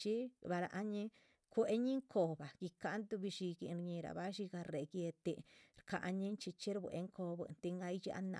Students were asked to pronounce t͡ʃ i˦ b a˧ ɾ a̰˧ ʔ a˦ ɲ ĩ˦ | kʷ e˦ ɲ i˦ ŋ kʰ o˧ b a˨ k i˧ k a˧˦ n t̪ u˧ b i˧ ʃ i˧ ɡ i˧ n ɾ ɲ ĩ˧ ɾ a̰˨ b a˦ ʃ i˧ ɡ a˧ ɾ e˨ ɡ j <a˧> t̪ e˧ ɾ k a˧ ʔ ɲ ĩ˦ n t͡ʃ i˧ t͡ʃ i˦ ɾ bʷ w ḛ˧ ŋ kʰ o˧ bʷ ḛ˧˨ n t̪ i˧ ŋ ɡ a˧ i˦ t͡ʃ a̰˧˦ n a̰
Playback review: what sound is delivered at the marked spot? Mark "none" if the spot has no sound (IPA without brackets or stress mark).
e˧